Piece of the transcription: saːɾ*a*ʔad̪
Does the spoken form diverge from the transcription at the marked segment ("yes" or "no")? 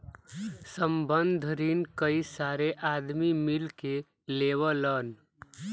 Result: yes